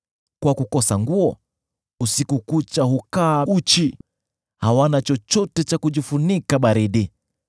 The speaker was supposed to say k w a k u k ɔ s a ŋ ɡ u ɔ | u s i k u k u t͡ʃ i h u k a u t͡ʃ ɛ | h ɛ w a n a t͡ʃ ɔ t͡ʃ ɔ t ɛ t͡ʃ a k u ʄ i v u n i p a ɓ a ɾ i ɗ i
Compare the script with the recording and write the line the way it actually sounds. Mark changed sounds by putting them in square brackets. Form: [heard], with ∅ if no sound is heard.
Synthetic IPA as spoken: k w a k u k ɔ s a ŋ ɡ u ɔ | u s i k u k u t͡ʃ [a] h u k a u t͡ʃ [i] | h [a] w a n a t͡ʃ ɔ t͡ʃ ɔ t ɛ t͡ʃ a k u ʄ i [f] u n i [k] a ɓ a ɾ i ɗ i